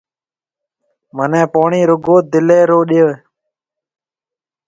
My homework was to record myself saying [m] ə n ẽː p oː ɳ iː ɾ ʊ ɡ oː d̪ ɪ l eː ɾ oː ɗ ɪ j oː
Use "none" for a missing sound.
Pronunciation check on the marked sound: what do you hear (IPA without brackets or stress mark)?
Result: m